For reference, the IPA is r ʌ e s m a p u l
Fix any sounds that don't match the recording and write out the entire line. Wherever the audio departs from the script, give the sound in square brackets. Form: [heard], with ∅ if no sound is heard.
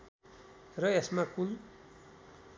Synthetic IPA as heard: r ʌ e s m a [k] u l